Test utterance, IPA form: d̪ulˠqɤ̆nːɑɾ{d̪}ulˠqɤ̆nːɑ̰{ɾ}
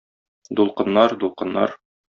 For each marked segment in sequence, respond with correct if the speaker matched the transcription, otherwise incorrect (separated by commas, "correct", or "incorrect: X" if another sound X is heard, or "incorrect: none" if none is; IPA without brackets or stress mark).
correct, correct